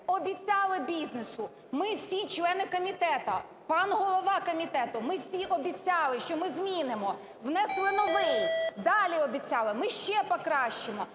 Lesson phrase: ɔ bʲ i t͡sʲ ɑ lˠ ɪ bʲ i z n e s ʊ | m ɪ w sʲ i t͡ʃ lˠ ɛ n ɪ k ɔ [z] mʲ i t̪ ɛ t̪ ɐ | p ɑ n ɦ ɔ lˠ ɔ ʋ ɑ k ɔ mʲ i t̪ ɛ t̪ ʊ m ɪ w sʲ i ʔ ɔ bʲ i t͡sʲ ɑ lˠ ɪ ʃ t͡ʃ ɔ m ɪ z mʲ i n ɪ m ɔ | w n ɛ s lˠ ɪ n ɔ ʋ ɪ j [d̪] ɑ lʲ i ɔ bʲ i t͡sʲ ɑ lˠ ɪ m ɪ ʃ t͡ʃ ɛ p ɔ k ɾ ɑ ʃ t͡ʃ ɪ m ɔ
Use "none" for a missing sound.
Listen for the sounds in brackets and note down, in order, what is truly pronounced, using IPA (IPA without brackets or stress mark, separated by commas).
none, d̪